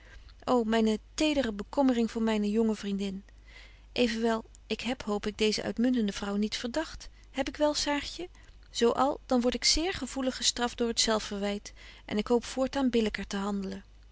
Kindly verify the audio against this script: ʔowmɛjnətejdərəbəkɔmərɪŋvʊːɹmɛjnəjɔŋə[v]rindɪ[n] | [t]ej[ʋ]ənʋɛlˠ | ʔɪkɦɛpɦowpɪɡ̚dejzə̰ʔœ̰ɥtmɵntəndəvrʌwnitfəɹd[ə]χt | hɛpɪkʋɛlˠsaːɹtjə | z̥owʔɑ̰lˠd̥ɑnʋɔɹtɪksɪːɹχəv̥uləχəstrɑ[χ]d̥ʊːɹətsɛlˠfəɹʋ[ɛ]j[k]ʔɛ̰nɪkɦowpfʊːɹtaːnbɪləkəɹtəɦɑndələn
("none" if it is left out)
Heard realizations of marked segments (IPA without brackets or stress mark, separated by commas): v, n, ʔ, v, ɑ, f, ɛ, t